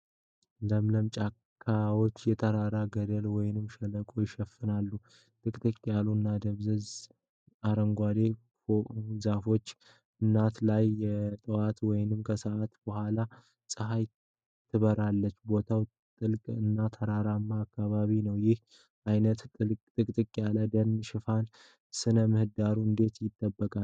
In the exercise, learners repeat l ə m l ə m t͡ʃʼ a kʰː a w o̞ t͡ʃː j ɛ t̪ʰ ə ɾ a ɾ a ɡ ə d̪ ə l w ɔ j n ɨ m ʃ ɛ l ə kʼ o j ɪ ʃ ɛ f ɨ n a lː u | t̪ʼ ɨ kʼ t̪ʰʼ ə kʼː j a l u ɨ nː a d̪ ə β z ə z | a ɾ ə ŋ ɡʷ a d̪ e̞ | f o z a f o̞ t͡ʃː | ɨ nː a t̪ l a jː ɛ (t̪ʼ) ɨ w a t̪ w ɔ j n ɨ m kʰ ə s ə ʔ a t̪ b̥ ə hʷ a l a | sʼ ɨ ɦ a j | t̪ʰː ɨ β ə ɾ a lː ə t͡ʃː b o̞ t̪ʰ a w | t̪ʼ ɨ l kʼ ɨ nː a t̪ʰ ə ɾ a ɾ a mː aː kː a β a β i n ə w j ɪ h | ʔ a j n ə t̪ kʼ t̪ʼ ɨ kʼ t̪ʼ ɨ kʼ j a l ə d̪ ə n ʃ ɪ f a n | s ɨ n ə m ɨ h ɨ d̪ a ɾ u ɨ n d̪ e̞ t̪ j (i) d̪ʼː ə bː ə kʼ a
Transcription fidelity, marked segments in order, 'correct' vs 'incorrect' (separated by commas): correct, incorrect